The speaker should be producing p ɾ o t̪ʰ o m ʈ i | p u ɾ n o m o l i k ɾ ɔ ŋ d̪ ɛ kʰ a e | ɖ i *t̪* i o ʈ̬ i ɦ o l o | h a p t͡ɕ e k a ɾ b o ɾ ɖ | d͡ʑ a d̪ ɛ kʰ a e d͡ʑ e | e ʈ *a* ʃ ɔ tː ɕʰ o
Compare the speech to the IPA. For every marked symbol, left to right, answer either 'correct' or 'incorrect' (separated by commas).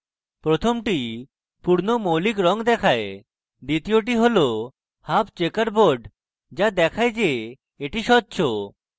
correct, incorrect